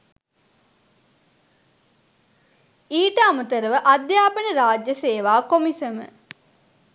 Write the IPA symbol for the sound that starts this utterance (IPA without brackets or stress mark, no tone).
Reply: iː